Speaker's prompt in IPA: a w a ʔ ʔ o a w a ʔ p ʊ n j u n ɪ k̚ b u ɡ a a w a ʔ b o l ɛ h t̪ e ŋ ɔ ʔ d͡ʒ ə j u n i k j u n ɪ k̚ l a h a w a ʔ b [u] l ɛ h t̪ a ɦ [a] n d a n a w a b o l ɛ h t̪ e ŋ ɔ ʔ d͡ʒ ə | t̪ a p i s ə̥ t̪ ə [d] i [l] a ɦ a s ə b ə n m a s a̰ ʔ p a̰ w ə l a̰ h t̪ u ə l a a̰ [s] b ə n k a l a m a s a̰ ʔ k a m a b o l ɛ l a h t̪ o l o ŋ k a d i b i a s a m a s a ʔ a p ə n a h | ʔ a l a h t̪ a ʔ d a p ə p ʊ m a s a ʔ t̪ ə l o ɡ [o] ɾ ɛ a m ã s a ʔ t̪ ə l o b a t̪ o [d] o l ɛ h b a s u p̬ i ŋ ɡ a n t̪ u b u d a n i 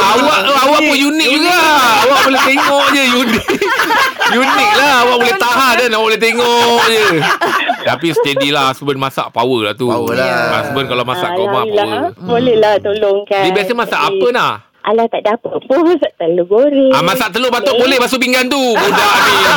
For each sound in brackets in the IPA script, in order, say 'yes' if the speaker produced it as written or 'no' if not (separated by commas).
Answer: no, yes, yes, yes, yes, yes, no